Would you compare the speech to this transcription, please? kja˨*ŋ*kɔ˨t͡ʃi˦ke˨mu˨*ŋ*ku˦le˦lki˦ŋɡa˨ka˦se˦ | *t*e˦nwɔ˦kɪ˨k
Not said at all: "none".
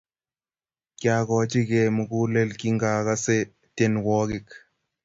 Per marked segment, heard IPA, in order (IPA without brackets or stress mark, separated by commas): none, none, t